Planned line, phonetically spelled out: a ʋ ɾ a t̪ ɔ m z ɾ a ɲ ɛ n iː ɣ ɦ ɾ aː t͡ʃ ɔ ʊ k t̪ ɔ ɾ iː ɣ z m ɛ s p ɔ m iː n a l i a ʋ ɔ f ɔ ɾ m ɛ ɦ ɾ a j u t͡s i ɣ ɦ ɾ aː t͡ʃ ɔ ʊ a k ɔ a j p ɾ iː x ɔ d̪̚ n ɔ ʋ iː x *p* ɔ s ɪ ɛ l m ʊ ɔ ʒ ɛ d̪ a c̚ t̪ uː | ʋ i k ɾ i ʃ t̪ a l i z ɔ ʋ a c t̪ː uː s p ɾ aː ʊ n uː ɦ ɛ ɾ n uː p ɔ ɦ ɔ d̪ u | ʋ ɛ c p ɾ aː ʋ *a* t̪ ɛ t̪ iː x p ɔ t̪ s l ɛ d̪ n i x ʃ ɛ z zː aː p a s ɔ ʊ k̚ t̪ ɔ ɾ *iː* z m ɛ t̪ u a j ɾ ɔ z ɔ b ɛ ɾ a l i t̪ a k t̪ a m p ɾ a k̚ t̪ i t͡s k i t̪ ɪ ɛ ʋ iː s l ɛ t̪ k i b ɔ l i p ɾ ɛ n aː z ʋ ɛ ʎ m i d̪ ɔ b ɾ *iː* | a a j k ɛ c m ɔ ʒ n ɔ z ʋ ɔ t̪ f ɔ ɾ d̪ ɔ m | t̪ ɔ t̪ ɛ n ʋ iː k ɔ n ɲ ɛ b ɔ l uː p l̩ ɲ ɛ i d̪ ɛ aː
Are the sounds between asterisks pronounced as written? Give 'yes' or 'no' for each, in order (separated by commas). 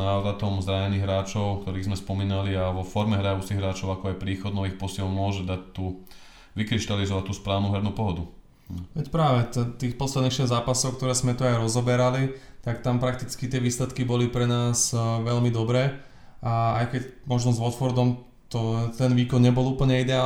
yes, no, no, no